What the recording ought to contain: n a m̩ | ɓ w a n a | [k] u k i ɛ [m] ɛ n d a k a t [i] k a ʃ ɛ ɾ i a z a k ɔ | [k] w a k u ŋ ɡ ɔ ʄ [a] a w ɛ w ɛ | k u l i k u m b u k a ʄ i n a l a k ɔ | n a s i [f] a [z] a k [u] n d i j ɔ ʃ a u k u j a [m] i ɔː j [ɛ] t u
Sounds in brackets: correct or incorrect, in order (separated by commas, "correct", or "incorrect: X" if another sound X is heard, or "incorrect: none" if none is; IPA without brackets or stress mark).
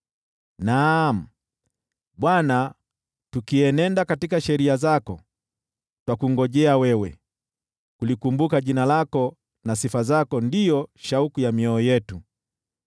incorrect: t, incorrect: n, correct, incorrect: t, incorrect: ɛ, correct, correct, incorrect: ɔ, correct, correct